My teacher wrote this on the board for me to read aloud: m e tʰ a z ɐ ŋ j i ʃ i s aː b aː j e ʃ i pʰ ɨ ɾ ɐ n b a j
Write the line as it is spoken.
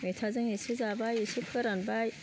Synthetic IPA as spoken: m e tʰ a z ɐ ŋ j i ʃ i z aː b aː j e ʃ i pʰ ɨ ɾ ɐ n b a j